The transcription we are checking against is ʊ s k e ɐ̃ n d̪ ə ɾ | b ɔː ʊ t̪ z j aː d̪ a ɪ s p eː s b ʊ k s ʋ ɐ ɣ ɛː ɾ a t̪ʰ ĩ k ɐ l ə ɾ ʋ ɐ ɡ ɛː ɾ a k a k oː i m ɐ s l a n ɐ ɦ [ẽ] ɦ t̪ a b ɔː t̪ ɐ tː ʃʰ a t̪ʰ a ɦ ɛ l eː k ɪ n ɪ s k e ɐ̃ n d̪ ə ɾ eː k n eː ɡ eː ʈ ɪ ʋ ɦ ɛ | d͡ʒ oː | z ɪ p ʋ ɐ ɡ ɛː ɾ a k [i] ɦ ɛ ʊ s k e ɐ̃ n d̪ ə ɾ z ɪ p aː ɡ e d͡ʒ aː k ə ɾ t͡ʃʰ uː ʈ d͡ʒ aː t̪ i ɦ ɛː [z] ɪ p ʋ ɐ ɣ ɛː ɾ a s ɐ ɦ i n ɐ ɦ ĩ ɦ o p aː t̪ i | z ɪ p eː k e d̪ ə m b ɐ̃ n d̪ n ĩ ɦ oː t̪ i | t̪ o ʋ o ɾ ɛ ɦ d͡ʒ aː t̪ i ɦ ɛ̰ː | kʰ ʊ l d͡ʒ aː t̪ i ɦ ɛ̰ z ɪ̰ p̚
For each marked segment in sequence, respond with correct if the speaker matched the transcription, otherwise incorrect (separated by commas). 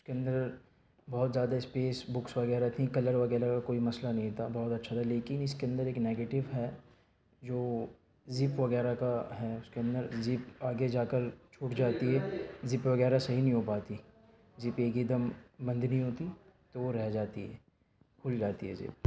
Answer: incorrect, incorrect, correct